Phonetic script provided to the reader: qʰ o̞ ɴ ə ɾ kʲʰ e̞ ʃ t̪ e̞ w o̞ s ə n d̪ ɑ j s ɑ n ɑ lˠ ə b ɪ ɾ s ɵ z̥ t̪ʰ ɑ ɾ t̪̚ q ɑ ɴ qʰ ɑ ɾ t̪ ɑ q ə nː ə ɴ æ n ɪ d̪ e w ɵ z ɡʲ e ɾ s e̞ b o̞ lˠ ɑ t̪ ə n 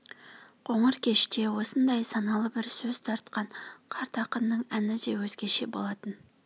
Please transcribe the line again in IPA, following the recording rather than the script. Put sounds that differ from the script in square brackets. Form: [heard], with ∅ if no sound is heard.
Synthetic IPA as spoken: qʰ o̞ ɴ ə ɾ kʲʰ e̞ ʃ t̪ e̞ w o̞ s ə n d̪ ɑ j s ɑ n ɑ lˠ ə b ɪ ɾ s ɵ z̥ t̪ʰ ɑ ɾ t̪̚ q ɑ ɴ qʰ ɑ ɾ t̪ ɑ q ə nː ə ɴ æ n ɪ d̪ e w ɵ z ɡʲ e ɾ [ʃ] e̞ b o̞ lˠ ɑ t̪ ə n